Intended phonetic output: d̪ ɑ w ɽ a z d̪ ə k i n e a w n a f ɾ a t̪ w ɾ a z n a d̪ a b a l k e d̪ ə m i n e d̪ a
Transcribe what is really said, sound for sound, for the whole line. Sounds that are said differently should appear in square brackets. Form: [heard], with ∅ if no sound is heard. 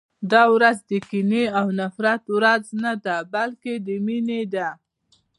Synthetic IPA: d̪ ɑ w [ɾ] a z d̪ ə k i n e a w n a f ɾ a t̪ w ɾ a z n a d̪ a b a l k e d̪ ə m i n e d̪ a